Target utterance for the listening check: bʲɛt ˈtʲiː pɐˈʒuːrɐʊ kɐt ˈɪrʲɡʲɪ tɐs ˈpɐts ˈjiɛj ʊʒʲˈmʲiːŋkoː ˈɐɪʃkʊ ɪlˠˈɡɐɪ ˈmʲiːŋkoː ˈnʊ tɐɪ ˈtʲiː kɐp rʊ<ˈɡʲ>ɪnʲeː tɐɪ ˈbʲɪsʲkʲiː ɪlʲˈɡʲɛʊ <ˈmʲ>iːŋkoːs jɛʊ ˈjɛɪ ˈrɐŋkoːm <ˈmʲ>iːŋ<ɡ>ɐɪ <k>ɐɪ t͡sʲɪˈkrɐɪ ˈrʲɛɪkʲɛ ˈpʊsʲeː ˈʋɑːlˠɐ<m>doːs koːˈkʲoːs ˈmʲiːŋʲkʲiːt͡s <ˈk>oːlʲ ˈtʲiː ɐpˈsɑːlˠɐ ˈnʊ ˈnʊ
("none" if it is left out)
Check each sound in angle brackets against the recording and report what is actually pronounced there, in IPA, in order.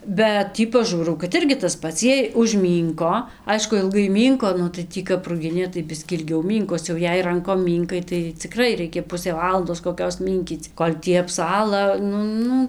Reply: ɡʲ, mʲ, mʲ, k, t, n, k

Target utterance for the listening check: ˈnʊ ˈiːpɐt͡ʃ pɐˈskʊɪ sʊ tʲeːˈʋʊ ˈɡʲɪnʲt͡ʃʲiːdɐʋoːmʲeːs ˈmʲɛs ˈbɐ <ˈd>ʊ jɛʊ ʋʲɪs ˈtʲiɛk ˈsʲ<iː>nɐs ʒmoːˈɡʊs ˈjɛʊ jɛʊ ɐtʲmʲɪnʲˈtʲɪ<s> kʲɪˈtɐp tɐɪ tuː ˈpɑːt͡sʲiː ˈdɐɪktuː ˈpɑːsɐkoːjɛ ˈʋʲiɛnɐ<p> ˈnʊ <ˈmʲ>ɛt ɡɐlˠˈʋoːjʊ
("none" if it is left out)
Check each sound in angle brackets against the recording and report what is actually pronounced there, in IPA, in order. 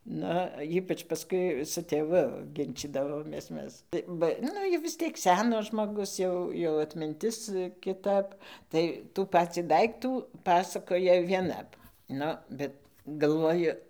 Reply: n, æː, s, p, bʲ

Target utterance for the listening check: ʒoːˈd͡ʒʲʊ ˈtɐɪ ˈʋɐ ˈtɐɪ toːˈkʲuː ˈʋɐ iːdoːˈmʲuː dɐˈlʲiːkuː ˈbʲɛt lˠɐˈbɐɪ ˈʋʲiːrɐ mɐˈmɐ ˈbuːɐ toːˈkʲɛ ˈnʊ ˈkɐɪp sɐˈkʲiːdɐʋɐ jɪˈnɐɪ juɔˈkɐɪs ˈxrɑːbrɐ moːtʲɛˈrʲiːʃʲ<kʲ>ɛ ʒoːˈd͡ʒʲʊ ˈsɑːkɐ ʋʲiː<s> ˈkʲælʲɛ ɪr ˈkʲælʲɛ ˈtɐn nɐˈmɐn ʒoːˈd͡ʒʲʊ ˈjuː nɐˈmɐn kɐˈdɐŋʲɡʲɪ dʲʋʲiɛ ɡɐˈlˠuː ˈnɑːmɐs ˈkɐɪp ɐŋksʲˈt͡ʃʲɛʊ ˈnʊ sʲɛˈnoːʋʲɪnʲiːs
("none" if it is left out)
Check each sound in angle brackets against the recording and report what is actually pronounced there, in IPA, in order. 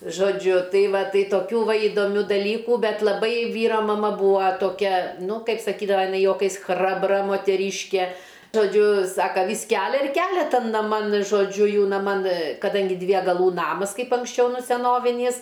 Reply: kʲ, s

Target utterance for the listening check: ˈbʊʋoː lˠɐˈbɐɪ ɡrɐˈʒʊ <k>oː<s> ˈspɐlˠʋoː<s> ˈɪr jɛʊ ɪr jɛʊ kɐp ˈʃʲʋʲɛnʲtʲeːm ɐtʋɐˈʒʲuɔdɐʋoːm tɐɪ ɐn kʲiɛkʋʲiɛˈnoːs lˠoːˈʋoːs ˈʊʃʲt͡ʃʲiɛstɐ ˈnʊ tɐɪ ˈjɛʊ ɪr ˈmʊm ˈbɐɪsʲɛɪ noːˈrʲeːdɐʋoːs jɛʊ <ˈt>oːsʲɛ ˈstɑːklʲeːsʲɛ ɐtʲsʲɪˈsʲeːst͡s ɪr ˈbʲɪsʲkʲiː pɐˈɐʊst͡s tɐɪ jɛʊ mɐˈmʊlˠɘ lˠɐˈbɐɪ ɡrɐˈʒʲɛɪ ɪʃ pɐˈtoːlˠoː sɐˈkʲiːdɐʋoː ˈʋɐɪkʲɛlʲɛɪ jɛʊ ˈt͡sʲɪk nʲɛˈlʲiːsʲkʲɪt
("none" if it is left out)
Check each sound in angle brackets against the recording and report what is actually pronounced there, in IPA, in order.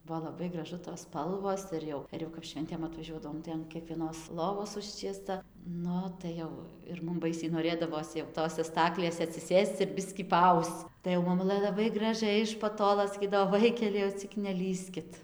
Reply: t, s, s, t

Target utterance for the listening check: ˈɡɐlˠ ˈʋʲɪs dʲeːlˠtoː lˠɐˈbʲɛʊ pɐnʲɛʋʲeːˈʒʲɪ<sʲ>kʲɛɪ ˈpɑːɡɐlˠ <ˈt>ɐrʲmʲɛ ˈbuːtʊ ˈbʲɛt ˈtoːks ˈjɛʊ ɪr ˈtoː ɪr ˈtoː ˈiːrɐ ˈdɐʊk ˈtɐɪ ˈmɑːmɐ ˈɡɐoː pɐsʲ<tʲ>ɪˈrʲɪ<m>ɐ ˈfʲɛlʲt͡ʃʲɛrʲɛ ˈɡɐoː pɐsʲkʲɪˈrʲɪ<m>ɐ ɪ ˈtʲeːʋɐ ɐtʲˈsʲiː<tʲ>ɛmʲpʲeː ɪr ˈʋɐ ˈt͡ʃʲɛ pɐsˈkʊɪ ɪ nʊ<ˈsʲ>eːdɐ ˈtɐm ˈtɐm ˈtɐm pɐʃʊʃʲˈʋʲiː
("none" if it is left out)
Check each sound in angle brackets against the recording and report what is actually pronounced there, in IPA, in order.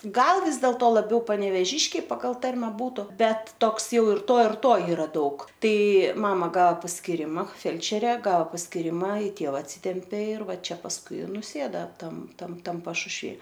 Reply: ʃʲ, t, kʲ, m, m, tʲ, sʲ

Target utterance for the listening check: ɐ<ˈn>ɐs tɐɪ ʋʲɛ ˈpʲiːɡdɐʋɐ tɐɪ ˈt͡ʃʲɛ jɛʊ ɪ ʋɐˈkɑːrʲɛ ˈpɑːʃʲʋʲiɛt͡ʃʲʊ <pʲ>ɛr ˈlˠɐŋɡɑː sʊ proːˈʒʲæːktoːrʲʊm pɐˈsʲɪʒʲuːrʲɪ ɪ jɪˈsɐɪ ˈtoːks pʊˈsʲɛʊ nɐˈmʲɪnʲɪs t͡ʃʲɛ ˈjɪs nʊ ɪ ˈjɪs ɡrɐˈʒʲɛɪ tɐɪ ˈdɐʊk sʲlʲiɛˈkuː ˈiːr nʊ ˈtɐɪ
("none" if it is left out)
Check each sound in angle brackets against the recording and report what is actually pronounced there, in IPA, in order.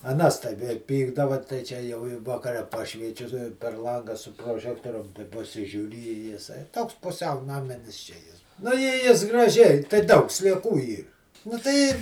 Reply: n, pʲ

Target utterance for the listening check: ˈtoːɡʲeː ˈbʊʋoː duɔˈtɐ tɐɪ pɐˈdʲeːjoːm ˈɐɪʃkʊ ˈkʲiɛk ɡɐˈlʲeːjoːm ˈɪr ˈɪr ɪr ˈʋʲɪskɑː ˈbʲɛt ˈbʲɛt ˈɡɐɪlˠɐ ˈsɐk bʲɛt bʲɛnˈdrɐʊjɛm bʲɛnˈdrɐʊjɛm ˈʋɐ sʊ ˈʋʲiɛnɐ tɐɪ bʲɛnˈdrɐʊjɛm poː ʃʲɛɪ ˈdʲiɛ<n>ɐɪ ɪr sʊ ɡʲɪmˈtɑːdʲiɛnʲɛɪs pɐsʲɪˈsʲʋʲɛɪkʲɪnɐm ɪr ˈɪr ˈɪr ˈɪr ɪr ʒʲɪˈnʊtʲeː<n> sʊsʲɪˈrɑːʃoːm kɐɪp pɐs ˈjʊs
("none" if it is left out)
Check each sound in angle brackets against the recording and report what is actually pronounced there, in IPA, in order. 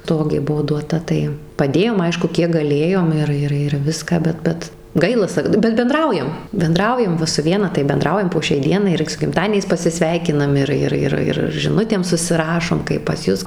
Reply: n, m

